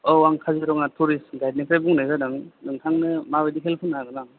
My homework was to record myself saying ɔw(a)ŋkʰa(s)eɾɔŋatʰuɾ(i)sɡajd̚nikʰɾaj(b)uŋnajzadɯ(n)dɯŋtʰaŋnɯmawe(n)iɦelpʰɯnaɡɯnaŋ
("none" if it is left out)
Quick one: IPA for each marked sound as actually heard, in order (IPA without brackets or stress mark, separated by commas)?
a, z, i, b, ŋ, d